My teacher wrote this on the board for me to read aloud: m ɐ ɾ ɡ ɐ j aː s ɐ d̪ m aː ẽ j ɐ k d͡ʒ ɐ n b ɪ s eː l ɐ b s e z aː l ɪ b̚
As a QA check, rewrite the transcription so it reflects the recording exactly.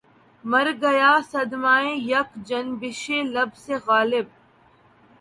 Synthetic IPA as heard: m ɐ ɾ ɡ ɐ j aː s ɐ d̪ m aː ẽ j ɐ k d͡ʒ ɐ n b ɪ ʃ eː l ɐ b s e ɣ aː l ɪ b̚